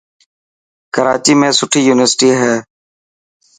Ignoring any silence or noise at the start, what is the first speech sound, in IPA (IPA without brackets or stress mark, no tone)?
k